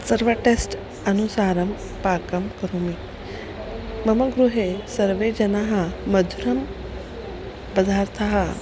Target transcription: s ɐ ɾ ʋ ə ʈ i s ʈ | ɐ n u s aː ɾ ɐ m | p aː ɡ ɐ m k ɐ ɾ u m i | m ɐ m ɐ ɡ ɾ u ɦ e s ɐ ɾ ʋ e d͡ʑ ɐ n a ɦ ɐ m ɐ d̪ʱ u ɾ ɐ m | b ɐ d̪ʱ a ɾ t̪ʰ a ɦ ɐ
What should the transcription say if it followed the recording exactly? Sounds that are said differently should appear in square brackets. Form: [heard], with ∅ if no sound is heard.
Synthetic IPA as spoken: s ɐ ɾ ʋ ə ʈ [e] s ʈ | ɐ n u s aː ɾ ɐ m | p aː [k] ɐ m k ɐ ɾ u m i | m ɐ m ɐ ɡ ɾ u ɦ e s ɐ ɾ ʋ e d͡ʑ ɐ n a ɦ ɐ m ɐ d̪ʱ u ɾ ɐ m | b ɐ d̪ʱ a ɾ t̪ʰ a ɦ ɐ